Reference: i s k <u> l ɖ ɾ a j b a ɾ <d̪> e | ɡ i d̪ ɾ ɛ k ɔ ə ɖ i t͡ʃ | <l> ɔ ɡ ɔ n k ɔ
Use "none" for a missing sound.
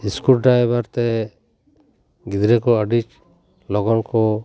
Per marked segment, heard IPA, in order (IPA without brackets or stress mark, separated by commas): u, t̪, l